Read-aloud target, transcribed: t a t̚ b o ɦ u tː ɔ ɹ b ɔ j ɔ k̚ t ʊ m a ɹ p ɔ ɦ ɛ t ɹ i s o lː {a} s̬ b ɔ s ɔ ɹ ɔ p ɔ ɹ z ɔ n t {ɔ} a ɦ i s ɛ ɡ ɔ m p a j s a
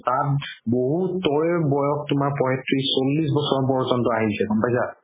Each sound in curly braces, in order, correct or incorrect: incorrect, correct

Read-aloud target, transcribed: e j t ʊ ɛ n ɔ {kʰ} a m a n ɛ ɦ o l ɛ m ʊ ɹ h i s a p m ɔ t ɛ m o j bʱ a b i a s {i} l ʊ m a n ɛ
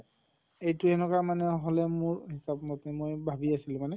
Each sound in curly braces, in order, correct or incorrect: incorrect, correct

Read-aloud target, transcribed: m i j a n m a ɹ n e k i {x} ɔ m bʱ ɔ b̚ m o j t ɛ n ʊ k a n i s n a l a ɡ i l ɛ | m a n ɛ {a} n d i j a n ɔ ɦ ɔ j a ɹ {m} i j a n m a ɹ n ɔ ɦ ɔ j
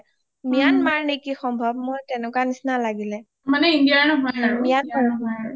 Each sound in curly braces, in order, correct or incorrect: correct, incorrect, correct

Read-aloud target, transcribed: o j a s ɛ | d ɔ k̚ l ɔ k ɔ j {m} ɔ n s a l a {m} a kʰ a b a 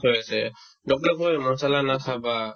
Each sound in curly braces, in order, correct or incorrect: correct, incorrect

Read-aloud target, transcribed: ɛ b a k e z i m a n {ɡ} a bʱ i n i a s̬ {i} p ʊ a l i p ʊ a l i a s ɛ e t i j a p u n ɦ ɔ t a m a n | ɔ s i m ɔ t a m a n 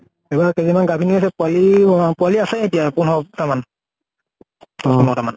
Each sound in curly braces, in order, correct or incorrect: correct, incorrect

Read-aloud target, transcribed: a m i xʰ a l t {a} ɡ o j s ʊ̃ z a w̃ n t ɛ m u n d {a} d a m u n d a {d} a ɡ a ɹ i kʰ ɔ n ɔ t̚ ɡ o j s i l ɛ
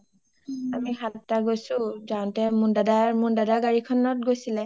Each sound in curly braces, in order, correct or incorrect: correct, correct, correct

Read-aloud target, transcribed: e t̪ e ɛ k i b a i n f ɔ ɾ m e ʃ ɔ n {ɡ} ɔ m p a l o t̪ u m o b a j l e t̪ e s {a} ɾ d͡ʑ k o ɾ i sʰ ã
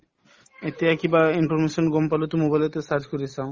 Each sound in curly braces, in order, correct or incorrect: correct, correct

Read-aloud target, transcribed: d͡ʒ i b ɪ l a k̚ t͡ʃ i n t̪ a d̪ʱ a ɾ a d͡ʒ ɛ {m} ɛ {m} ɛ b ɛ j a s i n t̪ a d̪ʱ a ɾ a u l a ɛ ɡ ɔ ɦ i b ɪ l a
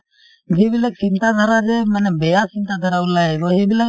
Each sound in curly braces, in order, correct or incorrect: correct, incorrect

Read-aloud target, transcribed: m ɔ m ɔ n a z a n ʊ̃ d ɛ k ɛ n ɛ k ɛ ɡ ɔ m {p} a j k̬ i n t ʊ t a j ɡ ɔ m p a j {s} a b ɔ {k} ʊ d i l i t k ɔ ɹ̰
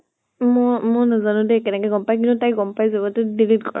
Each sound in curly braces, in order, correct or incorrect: correct, incorrect, incorrect

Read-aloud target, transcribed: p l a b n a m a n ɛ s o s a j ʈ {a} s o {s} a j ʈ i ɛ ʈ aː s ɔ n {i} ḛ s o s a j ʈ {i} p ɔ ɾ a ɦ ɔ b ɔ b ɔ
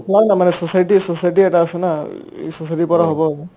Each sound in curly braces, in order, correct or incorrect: incorrect, correct, incorrect, correct

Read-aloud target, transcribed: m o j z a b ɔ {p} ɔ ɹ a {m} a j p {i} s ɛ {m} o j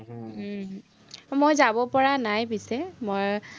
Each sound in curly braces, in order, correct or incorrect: correct, incorrect, correct, correct

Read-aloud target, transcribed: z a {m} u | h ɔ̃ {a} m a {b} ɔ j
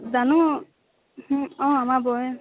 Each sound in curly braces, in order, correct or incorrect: incorrect, correct, correct

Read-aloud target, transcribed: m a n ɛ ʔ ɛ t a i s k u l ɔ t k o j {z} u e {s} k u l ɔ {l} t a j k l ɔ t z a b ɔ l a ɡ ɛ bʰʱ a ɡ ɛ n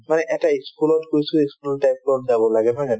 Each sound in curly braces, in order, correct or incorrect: incorrect, correct, correct

